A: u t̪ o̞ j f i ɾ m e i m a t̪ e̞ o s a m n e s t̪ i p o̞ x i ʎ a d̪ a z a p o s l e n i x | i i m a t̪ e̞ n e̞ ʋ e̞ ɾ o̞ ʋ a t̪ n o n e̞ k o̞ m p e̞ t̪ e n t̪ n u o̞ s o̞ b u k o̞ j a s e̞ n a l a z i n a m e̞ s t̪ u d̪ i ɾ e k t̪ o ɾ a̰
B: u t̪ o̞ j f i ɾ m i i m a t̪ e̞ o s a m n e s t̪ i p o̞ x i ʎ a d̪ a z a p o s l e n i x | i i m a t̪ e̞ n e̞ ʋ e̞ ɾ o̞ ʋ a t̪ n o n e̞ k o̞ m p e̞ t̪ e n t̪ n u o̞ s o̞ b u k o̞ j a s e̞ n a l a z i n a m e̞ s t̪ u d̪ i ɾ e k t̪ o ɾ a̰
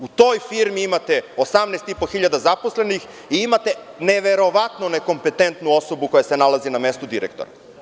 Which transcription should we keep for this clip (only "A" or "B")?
B